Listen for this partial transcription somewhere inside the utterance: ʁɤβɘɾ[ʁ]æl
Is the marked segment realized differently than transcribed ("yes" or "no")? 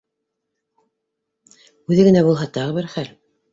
yes